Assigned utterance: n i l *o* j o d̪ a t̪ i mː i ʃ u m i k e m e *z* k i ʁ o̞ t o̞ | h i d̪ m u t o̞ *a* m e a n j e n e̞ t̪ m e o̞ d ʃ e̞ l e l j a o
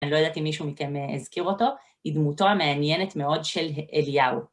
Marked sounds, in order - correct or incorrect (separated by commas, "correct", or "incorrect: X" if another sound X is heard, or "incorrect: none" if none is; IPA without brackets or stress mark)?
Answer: correct, correct, correct